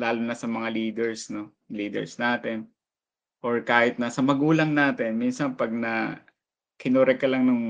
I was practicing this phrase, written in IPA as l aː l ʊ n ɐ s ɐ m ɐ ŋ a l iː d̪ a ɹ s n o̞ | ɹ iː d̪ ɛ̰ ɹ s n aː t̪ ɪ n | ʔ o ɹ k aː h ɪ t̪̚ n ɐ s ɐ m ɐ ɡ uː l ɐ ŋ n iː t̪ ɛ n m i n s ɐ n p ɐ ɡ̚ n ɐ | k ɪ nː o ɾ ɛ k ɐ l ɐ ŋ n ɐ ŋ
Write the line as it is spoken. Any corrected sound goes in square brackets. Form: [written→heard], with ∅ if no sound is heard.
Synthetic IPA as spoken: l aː l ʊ n ɐ s ɐ m ɐ ŋ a l iː d̪ [a→ɛ] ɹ s n o̞ | [ɹ→l] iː d̪ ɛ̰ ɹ s n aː t̪ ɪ n | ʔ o ɹ k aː h ɪ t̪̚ n ɐ s ɐ m ɐ ɡ uː l ɐ ŋ n [iː→aː] t̪ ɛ n m i n s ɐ n p ɐ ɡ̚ n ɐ | k ɪ [nː→n] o ɾ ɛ k ɐ l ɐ ŋ n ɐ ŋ